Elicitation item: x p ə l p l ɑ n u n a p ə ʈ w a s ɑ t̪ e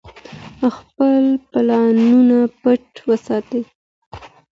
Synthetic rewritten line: x p ə l p l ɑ n u n a p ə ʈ w ə s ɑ t̪ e